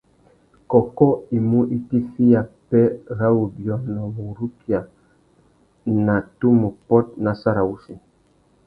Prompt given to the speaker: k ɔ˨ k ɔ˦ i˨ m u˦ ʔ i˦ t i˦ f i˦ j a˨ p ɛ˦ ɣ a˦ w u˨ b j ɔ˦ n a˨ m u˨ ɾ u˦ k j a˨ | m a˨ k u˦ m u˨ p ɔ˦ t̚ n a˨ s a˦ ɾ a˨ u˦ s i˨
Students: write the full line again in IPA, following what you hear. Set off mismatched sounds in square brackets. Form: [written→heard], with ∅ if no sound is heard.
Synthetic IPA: k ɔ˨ k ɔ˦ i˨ m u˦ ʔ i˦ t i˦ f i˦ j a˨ p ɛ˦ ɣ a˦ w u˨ b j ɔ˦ n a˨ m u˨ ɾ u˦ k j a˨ | [m→n] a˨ [k→t] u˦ m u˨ p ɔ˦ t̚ n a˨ s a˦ ɾ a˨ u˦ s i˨